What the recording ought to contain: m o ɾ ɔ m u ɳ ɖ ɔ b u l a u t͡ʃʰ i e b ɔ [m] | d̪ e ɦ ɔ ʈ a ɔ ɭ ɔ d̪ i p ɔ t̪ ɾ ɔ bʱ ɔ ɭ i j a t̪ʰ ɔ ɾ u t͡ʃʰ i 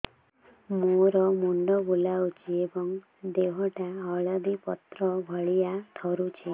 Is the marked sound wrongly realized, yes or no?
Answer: yes